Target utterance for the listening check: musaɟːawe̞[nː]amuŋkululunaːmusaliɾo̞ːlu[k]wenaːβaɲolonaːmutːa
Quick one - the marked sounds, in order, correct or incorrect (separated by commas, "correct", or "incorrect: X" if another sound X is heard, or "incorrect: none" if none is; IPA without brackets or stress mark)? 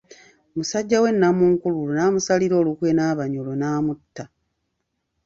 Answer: correct, correct